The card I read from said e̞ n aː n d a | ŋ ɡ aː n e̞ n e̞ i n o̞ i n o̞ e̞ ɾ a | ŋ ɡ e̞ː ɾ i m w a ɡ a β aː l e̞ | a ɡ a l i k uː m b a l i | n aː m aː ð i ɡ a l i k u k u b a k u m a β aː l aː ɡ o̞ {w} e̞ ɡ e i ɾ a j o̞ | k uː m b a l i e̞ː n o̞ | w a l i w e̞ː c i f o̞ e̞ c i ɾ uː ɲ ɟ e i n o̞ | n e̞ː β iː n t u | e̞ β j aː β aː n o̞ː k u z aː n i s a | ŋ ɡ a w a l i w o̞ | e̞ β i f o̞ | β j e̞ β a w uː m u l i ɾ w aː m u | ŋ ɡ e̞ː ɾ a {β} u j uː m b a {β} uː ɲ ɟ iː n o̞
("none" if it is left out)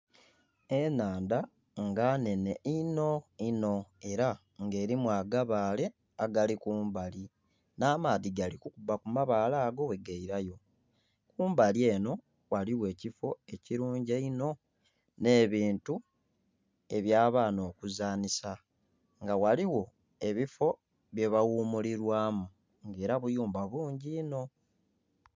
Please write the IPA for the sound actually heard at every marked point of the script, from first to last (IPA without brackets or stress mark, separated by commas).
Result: w, β, β